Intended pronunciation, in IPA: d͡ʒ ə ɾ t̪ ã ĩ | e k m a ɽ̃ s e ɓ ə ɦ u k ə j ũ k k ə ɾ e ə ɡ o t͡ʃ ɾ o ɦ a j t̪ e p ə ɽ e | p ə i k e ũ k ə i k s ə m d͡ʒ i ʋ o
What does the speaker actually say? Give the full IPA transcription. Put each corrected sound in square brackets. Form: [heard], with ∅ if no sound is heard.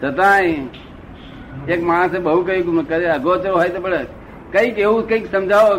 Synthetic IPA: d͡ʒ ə [∅] t̪ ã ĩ | e k m a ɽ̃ s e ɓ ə ɦ u k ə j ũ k k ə ɾ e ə ɡ o t͡ʃ ɾ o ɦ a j t̪ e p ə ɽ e | [k] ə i k e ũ k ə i k s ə m d͡ʒ [a] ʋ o